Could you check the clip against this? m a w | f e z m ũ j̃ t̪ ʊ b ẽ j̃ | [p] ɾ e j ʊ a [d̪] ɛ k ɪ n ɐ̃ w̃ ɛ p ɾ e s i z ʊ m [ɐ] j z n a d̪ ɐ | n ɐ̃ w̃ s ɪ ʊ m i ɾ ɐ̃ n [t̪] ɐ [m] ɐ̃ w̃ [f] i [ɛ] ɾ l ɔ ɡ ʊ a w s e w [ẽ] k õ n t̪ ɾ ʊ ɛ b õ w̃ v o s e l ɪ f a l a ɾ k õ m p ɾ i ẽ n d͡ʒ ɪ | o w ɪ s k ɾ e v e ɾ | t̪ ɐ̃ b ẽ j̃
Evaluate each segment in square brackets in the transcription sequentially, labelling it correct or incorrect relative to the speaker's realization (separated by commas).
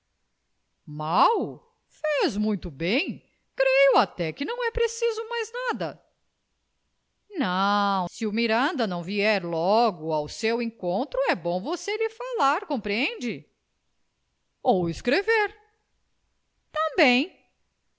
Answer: incorrect, incorrect, incorrect, incorrect, incorrect, incorrect, correct, correct